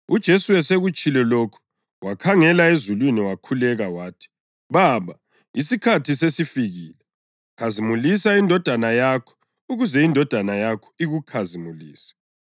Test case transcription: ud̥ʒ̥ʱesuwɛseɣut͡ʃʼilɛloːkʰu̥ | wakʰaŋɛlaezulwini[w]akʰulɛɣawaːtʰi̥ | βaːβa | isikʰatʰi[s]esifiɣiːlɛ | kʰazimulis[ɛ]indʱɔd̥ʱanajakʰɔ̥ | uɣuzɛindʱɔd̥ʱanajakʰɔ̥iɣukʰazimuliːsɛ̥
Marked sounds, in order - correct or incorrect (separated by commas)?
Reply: correct, correct, incorrect